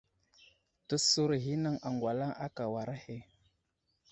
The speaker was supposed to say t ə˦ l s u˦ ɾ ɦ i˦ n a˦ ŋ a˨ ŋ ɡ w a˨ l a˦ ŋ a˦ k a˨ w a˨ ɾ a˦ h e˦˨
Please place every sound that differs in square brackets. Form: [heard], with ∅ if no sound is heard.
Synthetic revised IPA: t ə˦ [∅] s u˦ ɾ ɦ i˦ n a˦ ŋ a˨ ŋ ɡ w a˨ l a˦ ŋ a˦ k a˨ w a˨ ɾ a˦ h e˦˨